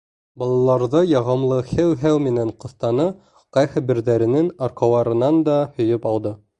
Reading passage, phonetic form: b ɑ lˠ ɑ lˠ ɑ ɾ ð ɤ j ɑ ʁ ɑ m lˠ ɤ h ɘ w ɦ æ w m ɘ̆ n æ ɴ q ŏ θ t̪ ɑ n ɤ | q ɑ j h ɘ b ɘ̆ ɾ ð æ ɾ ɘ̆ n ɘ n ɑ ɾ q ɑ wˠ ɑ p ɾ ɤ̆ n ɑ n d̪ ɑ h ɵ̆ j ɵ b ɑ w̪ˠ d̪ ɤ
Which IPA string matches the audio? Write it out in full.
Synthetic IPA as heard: b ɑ lˠ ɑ lˠ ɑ ɾ ð ɤ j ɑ ʁ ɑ m lˠ ɤ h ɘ w ɦ æ w m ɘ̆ n æ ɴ q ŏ θ t̪ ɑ n ɤ | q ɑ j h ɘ b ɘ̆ ɾ ð æ ɾ ɘ̆ n ɘ n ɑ ɾ q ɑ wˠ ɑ ɾ ɤ̆ n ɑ n d̪ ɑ h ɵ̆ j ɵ p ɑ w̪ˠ d̪ ɤ